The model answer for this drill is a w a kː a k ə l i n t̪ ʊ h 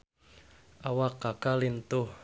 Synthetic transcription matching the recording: a w a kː a k a l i n t̪ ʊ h